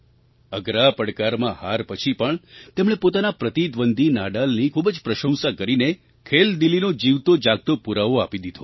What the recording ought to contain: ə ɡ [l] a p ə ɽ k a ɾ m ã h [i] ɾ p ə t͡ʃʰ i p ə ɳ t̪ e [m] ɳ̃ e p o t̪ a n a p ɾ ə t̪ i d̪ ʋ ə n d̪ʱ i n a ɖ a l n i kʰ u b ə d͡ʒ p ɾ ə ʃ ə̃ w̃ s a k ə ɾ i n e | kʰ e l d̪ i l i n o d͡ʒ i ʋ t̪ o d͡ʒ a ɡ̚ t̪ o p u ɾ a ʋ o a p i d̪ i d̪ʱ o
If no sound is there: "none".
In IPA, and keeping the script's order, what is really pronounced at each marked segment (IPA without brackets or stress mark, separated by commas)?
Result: ɾ, a, m